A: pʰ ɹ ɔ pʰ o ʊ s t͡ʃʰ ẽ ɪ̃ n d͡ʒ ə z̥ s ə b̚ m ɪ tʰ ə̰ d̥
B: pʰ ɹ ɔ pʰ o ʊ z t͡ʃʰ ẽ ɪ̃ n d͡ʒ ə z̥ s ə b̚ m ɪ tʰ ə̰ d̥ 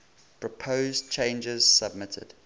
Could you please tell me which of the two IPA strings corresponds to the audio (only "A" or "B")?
B